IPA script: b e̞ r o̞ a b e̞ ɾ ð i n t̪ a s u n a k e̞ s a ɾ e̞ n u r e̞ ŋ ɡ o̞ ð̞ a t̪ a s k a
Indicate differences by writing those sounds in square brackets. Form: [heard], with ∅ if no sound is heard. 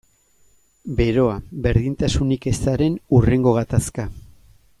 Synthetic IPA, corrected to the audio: b e̞ [ɾ] o̞ a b e̞ ɾ ð i n t̪ a s u n [i] k e̞ s a ɾ e̞ n u r e̞ ŋ ɡ o̞ [ɣ̞] a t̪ a s k a